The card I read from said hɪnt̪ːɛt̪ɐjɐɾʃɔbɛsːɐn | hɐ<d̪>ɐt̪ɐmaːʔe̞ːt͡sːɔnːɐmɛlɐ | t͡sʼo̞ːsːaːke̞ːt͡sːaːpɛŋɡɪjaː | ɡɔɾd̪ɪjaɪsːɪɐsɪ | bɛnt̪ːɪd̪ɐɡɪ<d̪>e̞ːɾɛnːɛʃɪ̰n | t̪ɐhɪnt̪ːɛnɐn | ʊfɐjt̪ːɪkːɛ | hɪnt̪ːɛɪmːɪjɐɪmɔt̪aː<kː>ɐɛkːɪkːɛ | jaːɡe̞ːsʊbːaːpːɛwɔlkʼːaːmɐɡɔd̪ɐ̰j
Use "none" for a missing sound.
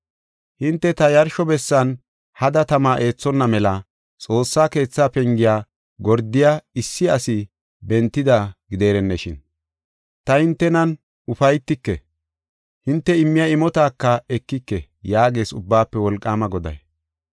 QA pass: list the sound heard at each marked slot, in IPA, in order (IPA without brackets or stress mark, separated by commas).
d̪, d̪, kː